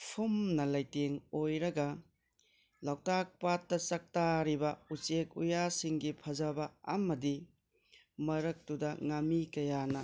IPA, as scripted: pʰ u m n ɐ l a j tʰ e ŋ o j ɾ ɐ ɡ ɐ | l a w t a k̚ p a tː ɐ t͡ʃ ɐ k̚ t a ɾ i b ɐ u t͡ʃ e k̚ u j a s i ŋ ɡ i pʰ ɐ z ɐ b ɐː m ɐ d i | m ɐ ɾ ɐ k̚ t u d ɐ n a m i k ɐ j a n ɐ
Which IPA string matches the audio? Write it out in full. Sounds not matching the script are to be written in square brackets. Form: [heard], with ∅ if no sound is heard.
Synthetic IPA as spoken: pʰ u m n ɐ l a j [t] e ŋ o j ɾ ɐ ɡ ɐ | l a w t a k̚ p a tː ɐ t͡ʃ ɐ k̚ t a ɾ i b ɐ u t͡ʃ e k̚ u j a s i ŋ ɡ i pʰ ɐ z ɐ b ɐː m ɐ d i | m ɐ ɾ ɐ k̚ t u d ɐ [ŋ] a m i k ɐ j a n ɐ